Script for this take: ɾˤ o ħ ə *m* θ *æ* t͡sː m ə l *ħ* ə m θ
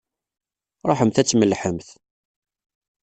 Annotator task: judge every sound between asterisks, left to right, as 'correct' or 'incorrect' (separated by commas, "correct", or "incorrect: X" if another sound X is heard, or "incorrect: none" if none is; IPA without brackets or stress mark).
correct, correct, correct